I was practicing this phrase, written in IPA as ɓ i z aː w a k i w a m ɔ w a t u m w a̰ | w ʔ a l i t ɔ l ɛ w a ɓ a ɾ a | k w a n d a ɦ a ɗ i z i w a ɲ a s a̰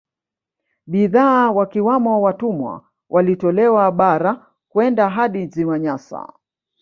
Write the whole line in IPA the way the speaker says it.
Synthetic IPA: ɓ i ð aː w a k i w a m ɔ w a t u m w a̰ | w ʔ a l i t ɔ l ɛ w a ɓ a ɾ a | k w ɛ n d a ɦ a ɗ i z i w a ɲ a s a̰